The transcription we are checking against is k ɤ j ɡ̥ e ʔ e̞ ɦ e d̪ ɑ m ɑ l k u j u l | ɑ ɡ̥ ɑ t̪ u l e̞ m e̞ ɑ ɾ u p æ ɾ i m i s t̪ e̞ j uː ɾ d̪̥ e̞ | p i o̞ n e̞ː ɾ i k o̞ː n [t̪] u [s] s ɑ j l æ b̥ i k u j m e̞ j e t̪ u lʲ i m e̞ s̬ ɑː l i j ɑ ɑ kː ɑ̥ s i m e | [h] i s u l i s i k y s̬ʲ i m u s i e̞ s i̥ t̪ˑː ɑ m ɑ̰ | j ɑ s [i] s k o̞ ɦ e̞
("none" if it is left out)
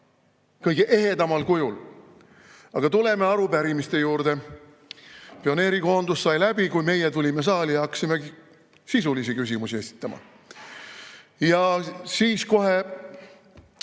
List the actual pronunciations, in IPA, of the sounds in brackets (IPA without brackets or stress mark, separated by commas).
d̪, s, s, iː